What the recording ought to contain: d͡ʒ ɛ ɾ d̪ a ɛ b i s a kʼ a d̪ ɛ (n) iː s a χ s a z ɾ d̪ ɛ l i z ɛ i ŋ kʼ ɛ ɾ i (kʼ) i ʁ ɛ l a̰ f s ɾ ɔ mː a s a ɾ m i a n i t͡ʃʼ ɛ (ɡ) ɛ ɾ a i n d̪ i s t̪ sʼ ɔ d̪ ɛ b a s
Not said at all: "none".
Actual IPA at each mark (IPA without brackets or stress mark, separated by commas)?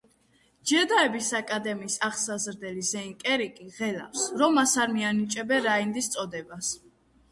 m, kʼ, b